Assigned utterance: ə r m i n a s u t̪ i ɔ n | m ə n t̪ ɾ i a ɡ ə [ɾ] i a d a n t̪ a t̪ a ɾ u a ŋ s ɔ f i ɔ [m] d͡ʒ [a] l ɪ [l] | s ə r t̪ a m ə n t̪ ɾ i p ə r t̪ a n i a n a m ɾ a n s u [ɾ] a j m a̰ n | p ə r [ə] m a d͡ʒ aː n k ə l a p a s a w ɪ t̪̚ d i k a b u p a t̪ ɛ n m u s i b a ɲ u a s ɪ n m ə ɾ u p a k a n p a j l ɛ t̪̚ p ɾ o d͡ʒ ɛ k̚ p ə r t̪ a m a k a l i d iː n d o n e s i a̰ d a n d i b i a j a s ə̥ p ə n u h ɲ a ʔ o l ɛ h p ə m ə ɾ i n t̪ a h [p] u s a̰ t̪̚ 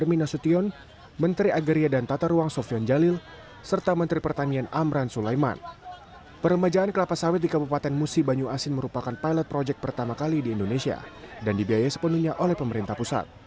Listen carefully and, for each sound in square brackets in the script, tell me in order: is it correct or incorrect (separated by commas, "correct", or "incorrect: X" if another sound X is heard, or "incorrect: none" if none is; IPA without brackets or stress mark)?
correct, incorrect: n, correct, correct, incorrect: l, correct, correct